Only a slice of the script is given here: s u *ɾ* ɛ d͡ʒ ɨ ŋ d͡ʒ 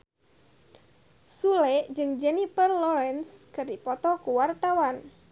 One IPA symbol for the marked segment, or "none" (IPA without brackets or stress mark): l